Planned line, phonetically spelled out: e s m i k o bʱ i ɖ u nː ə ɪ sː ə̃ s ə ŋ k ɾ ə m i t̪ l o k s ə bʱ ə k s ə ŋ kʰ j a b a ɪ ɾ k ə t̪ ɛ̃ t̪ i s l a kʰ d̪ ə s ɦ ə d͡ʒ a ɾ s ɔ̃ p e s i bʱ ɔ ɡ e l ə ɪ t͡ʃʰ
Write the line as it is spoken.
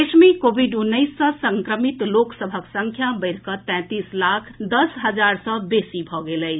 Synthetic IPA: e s m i k o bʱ i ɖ u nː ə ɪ sː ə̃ s ə ŋ k ɾ ə m i t̪ l o k s ə bʱ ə k s ə ŋ kʰ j a b ə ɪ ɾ k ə t̪ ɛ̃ t̪ i s l a kʰ d̪ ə s ɦ ə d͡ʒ a ɾ s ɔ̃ b e s i bʱ ɔ ɡ e l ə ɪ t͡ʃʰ